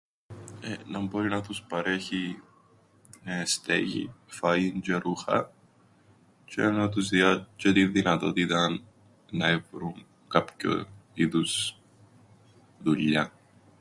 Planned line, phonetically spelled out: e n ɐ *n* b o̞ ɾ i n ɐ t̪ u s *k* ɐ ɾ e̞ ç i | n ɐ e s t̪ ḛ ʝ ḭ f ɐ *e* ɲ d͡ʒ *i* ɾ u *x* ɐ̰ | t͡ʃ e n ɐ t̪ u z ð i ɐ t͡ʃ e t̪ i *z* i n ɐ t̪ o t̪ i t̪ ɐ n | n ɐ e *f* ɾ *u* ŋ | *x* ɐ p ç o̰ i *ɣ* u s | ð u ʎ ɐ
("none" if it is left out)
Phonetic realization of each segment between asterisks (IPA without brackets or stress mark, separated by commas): m, p, i, e, x, ð, v, u, k, ð